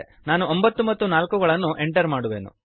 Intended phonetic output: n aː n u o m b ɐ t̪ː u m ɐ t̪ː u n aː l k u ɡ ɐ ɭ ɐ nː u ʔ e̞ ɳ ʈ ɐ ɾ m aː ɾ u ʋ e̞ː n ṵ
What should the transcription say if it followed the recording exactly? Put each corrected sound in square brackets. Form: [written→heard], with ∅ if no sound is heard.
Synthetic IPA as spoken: n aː n u o m b ɐ t̪ː u m ɐ t̪ː u n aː l k u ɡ ɐ ɭ ɐ nː u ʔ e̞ ɳ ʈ ɐ ɾ m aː [ɾ→ɽ] u ʋ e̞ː n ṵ